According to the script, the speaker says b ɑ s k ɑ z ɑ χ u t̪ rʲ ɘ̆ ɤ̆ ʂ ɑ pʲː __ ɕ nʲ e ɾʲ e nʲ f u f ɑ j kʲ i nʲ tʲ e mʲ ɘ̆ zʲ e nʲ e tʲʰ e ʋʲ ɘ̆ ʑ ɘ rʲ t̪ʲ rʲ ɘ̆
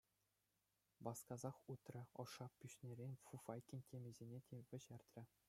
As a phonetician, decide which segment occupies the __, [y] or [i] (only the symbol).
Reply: y